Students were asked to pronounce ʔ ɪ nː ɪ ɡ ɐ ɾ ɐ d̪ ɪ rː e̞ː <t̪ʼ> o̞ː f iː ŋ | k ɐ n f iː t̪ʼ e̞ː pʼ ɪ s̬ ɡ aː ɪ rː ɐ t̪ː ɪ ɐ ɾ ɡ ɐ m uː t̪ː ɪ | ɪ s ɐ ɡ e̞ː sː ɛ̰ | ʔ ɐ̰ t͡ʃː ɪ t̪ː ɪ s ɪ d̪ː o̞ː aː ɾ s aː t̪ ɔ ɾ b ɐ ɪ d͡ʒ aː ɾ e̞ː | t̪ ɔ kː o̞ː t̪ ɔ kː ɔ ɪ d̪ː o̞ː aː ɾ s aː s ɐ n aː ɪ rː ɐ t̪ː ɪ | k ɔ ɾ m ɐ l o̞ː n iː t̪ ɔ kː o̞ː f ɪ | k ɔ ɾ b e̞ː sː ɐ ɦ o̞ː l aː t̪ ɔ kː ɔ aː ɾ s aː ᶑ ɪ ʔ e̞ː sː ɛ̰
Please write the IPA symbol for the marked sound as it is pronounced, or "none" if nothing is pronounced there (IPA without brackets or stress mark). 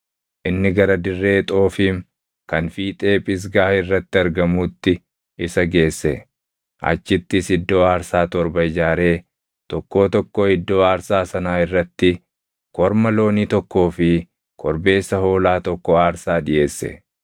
t̪ʼ